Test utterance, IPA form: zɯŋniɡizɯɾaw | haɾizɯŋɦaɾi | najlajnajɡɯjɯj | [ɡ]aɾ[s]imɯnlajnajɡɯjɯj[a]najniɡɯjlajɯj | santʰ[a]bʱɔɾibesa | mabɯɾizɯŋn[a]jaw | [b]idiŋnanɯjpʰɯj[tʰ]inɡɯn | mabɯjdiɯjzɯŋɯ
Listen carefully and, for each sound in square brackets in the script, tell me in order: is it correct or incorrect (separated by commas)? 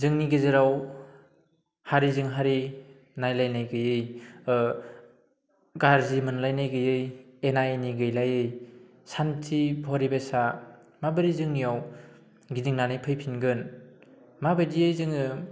correct, incorrect, incorrect, incorrect, incorrect, incorrect, incorrect